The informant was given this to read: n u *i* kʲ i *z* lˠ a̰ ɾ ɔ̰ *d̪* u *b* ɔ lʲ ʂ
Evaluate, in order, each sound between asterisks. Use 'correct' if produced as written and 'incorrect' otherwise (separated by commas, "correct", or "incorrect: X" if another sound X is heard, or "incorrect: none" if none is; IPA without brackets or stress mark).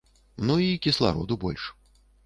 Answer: correct, incorrect: s, correct, correct